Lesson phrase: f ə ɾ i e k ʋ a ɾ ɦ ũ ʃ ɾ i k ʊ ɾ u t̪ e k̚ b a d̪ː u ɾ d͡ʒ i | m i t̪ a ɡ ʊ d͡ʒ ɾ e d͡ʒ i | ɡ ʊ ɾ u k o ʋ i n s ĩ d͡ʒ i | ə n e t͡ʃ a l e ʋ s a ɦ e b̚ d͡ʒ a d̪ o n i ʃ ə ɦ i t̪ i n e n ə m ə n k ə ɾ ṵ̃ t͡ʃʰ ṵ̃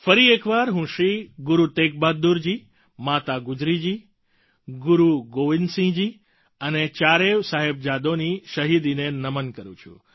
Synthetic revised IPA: f ə ɾ i e k ʋ a ɾ ɦ ũ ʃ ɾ i ɡ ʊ ɾ u t̪ e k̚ b a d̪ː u ɾ d͡ʒ i | m a t̪ a ɡ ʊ d͡ʒ ɾ i d͡ʒ i | ɡ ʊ ɾ u ɡ o ʋ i n s ĩ d͡ʒ i | ə n e t͡ʃ a ɾ e ʋ s a ɦ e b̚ d͡ʒ a d̪ o n i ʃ ə ɦ i d̪ i n e n ə m ə n k ə ɾ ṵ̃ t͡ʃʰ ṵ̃